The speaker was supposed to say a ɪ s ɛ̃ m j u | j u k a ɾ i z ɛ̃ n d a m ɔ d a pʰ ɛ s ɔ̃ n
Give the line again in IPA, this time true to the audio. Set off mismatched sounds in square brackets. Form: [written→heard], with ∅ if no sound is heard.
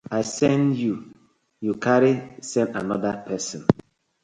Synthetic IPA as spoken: a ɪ s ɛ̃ [m→n] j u | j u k a ɾ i [z→s] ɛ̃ n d a [m→n] ɔ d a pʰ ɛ s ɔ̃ n

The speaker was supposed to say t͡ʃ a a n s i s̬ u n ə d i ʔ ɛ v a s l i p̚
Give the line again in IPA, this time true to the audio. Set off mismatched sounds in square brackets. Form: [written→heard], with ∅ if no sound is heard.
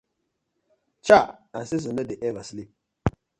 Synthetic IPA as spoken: t͡ʃ a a n s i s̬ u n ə d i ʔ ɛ v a s l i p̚

